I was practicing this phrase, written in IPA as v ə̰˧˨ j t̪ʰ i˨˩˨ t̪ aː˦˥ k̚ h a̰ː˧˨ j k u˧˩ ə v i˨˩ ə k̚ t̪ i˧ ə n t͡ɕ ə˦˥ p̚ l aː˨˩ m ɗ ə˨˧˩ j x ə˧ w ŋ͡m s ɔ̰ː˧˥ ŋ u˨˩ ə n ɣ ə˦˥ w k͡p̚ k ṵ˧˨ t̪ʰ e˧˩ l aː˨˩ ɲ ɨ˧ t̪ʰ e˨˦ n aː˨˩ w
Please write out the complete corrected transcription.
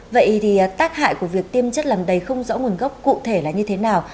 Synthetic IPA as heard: v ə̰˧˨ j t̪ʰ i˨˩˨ t̪ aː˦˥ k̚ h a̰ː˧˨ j k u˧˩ ə v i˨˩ ə k̚ t̪ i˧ ə m t͡ɕ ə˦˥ t̚ l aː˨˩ m ɗ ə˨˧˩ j x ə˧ w ŋ͡m z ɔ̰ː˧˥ ŋ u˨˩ ə n ɣ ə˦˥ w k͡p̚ k ṵ˧˨ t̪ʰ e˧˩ l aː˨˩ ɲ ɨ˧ t̪ʰ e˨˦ n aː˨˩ w